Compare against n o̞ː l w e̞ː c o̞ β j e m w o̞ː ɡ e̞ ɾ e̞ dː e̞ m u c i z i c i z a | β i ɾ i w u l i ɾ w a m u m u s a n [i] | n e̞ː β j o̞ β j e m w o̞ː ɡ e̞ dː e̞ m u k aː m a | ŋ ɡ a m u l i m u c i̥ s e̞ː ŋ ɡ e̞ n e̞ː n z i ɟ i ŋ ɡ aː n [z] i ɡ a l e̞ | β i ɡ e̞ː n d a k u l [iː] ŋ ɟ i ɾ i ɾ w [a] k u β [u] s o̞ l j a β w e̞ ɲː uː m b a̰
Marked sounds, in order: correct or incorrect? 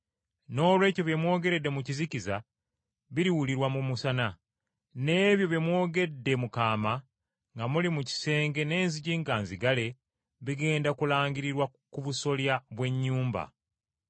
incorrect: a, correct, incorrect: aː, correct, correct

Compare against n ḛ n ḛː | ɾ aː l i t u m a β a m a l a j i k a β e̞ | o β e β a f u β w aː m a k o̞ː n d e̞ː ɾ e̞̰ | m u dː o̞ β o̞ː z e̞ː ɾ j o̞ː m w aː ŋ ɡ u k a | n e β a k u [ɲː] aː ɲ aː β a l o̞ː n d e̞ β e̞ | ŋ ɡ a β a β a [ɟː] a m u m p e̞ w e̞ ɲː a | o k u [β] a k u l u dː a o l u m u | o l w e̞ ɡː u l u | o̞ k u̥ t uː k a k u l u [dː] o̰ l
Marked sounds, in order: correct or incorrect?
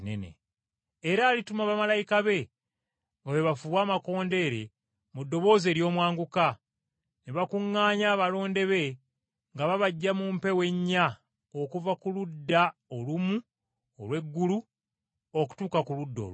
incorrect: ŋː, correct, incorrect: v, correct

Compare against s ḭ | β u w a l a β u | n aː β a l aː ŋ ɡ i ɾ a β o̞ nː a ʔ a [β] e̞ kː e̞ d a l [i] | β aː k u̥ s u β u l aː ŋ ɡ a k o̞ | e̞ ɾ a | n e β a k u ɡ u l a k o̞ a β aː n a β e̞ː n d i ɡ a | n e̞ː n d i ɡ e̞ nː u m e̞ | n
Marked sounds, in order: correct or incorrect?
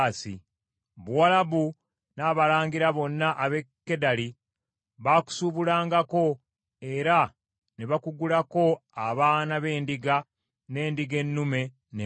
correct, correct

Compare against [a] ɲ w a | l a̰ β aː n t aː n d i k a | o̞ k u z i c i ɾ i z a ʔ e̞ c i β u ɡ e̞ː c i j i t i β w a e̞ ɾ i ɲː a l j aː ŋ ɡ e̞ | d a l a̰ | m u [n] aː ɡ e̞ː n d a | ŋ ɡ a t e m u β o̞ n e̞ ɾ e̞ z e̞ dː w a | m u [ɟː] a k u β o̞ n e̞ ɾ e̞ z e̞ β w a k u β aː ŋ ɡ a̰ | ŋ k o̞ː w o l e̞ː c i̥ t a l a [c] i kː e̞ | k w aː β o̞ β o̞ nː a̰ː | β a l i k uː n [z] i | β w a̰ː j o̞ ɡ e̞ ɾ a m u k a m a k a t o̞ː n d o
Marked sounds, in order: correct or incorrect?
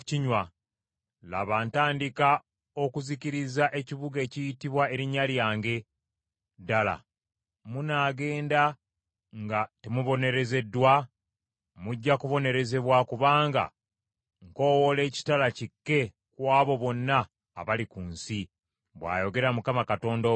incorrect: i, correct, correct, correct, incorrect: s

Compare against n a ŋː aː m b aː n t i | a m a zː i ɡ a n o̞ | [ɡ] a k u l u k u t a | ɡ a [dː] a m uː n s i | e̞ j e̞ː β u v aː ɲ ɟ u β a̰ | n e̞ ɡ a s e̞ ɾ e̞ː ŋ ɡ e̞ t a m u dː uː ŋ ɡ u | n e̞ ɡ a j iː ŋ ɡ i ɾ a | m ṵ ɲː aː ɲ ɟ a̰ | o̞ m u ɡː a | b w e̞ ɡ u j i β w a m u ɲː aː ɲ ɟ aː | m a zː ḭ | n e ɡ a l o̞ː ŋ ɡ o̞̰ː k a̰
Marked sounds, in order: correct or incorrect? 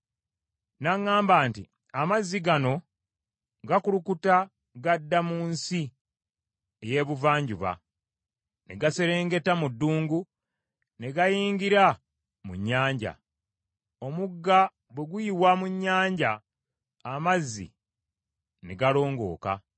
correct, correct

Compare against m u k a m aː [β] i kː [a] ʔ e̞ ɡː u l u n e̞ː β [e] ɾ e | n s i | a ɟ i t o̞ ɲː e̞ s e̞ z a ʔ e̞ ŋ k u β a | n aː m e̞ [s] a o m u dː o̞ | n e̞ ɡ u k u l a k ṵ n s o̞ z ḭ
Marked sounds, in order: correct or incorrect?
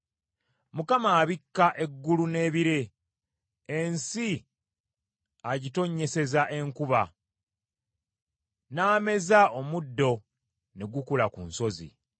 correct, correct, incorrect: i, incorrect: z

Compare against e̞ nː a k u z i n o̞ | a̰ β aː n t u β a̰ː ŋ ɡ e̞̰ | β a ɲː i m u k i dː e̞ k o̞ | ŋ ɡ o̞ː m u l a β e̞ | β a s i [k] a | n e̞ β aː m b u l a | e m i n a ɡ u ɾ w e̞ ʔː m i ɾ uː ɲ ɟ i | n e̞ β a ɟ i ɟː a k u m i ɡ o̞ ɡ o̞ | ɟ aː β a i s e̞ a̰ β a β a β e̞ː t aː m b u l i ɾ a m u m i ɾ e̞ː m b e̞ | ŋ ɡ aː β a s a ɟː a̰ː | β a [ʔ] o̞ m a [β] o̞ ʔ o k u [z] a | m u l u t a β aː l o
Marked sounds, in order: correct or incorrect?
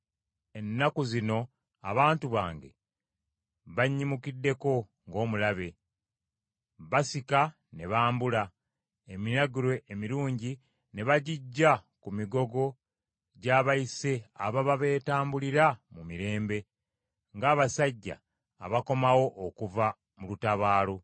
correct, incorrect: k, incorrect: w, incorrect: v

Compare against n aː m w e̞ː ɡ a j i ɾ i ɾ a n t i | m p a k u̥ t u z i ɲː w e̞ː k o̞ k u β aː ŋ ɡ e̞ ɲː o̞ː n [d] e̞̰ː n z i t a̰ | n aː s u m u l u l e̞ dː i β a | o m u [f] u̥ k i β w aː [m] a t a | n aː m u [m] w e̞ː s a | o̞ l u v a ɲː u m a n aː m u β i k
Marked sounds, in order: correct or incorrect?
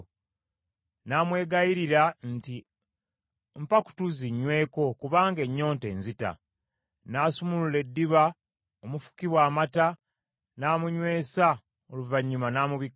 incorrect: t, correct, correct, incorrect: ɲ

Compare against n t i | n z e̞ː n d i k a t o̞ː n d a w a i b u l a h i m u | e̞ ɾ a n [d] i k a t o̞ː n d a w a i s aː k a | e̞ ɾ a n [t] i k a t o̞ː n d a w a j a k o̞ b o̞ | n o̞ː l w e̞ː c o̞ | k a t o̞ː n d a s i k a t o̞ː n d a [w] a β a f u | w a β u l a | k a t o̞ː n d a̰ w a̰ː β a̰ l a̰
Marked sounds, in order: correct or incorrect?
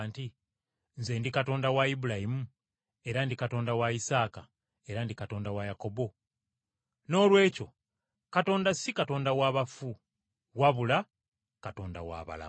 correct, incorrect: d, correct

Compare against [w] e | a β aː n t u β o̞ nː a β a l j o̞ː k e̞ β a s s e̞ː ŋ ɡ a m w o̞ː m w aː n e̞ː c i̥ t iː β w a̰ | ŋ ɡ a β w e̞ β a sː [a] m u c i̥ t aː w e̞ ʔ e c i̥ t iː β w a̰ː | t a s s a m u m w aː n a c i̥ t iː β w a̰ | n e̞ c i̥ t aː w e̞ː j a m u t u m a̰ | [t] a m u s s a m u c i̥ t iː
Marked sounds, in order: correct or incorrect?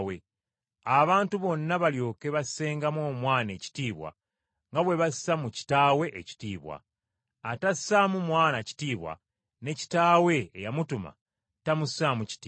correct, correct, correct

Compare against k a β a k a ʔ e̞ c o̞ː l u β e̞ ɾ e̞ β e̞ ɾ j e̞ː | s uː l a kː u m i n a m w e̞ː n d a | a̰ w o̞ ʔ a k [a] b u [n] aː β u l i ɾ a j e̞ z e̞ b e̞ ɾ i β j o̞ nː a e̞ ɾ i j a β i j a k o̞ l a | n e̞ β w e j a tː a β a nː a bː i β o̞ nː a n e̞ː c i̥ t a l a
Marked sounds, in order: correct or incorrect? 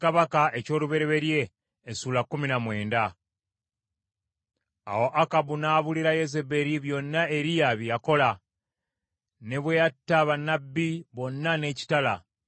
correct, correct

